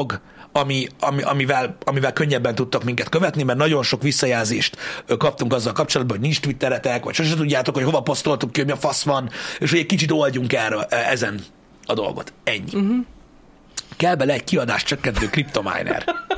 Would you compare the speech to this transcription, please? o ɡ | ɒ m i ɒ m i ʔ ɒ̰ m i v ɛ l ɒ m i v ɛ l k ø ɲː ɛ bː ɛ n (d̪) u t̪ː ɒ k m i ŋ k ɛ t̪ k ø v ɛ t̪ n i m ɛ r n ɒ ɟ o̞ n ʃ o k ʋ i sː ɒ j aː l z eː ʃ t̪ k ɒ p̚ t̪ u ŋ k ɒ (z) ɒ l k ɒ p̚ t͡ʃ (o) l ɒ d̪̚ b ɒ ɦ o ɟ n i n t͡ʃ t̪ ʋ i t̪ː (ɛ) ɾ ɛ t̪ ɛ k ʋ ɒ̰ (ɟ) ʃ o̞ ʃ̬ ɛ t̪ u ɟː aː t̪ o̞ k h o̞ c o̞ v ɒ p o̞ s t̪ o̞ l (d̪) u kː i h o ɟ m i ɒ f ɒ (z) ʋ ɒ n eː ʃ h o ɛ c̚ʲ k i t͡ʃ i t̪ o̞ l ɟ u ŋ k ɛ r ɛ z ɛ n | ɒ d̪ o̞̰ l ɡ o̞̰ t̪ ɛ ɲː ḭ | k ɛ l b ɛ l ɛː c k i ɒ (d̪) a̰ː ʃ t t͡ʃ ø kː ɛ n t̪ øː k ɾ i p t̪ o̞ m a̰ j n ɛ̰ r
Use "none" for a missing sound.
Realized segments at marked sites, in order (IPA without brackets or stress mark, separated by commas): t̪, zː, o, ɛ, c, t̪, s, d̪